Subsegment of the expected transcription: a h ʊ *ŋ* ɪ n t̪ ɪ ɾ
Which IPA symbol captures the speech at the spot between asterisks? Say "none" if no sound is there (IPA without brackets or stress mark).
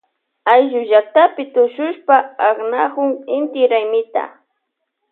ŋ